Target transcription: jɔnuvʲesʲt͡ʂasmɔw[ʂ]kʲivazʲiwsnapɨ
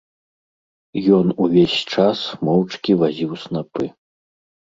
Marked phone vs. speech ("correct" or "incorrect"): incorrect